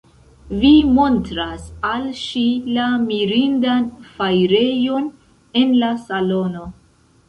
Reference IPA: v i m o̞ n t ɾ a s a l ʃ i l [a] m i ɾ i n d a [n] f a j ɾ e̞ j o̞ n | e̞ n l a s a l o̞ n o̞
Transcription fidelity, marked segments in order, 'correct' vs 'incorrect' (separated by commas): correct, correct